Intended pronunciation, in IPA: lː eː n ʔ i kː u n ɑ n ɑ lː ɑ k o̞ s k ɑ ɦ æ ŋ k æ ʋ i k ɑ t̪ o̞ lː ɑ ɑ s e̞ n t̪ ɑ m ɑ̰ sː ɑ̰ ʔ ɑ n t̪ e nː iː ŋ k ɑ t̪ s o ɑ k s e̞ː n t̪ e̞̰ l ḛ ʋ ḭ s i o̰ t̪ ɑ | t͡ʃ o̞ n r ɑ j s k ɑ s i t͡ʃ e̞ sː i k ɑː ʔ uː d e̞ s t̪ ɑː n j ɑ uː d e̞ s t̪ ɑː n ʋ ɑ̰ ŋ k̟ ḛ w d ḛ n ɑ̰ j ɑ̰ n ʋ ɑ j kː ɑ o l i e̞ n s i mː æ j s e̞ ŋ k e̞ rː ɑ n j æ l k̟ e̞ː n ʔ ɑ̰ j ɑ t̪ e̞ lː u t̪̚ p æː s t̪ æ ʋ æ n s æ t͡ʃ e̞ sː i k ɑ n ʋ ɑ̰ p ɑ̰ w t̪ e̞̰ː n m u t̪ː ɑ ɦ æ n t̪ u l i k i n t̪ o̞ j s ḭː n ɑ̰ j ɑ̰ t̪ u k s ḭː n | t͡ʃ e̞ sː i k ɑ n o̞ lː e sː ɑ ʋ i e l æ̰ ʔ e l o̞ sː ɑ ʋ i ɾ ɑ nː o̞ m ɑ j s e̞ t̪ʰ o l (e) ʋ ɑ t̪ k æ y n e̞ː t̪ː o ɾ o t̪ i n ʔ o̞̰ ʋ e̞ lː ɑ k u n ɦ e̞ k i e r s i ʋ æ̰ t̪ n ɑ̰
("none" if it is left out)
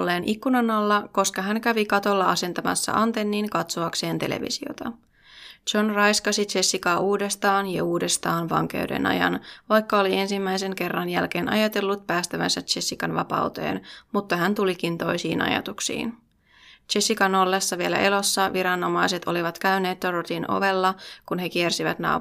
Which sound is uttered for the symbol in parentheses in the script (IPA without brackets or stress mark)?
i